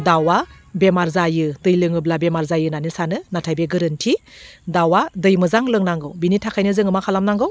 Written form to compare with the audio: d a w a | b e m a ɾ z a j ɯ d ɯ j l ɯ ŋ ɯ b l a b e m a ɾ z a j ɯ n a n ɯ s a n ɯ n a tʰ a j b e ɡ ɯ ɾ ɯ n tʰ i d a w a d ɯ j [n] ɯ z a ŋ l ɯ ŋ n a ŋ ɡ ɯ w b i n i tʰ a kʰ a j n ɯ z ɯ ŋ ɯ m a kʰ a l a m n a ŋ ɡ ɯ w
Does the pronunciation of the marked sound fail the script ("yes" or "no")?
yes